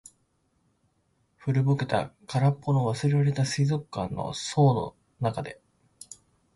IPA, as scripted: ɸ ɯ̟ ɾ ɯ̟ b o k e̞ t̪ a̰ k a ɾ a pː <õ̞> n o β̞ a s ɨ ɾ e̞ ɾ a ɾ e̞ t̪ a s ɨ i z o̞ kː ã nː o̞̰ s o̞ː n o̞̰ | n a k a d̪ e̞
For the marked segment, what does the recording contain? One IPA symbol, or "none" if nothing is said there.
o̞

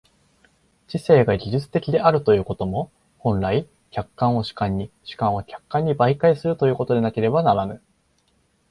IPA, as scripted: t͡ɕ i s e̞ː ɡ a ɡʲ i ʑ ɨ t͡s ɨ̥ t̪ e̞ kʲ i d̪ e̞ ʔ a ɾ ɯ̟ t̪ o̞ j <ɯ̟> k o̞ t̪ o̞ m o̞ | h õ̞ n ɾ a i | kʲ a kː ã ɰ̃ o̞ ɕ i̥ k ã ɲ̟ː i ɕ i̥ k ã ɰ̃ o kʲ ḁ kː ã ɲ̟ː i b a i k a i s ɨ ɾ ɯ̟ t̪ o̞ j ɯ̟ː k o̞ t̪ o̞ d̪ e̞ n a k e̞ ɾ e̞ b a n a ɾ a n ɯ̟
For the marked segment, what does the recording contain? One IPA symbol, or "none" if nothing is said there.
ɯ̟ː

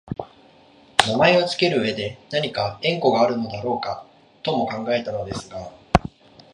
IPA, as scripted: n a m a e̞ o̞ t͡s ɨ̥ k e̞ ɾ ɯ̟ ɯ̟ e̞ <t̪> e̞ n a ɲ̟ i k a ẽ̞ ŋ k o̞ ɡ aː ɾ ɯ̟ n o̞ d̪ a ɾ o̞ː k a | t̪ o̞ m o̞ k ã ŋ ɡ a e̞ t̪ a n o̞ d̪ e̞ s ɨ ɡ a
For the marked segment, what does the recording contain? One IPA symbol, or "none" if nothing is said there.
d̪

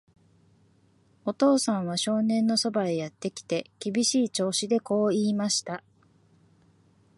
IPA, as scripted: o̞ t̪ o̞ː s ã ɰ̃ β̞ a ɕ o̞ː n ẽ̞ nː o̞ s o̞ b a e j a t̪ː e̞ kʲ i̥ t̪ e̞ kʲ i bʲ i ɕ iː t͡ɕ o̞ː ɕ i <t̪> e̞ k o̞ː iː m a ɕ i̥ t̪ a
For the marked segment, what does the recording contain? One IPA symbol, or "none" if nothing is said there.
d̪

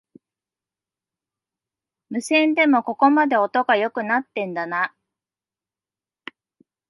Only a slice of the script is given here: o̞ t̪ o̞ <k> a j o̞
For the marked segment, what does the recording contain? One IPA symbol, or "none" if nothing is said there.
ɡ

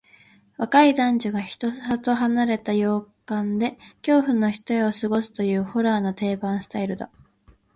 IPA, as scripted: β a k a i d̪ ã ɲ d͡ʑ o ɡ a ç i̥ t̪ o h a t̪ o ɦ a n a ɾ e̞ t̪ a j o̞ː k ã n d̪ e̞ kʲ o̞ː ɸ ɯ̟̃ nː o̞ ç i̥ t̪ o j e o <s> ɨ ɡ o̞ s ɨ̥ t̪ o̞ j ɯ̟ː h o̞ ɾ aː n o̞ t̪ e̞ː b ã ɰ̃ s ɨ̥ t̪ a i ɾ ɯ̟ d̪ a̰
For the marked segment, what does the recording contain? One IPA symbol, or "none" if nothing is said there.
s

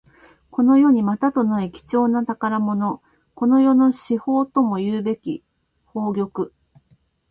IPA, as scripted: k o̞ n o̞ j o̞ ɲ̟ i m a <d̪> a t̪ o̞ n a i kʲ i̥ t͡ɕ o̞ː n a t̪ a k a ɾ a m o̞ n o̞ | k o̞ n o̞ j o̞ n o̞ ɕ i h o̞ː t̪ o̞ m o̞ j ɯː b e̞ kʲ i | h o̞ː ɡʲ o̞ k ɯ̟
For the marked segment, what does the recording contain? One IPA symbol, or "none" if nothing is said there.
t̪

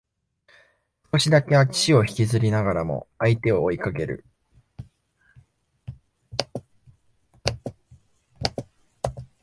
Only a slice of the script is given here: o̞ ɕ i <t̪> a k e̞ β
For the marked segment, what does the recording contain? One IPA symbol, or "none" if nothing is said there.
d̪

